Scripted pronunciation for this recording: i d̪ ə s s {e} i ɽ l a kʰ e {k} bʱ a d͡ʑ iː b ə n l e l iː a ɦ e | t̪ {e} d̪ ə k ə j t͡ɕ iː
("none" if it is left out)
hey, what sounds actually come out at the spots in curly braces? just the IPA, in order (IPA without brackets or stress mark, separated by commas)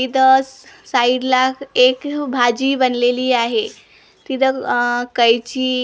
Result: a, k, i